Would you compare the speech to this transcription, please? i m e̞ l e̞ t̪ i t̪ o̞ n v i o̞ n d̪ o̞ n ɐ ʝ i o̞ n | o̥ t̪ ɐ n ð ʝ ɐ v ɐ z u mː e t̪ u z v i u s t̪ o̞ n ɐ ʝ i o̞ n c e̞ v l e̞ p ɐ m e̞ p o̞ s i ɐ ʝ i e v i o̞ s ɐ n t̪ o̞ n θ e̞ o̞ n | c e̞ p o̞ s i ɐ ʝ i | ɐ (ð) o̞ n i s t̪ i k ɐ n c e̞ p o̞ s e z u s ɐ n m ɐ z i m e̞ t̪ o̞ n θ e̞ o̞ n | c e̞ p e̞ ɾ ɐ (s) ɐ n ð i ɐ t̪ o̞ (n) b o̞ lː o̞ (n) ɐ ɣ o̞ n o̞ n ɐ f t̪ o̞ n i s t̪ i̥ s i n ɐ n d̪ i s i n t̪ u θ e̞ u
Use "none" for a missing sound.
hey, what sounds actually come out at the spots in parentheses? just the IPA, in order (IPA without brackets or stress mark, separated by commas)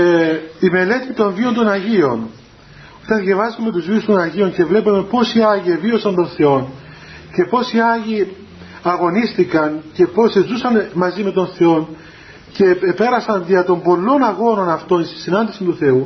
ɣ, s, m, n